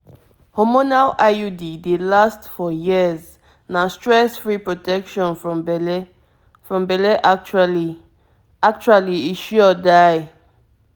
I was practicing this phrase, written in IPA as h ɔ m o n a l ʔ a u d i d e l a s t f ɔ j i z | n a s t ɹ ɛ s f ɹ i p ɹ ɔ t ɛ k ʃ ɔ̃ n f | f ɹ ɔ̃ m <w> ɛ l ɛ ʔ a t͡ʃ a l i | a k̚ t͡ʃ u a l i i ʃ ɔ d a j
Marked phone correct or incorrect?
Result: incorrect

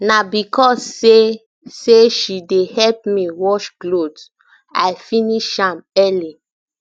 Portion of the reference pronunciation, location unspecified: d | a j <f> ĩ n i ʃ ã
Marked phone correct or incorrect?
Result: correct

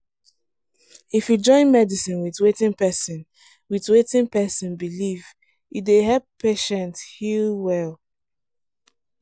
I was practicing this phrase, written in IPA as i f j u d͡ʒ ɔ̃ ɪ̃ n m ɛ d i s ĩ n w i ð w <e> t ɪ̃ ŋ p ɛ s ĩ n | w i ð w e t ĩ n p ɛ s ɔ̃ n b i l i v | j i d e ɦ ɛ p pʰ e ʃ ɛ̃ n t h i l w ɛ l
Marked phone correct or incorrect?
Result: correct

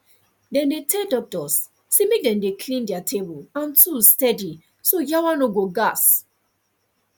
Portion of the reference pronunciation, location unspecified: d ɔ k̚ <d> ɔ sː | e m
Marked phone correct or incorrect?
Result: incorrect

